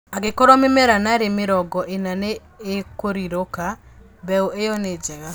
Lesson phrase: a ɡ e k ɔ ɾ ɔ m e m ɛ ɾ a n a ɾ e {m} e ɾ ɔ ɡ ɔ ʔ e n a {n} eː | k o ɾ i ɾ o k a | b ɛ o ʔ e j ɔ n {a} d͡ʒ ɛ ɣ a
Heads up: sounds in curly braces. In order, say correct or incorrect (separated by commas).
correct, correct, incorrect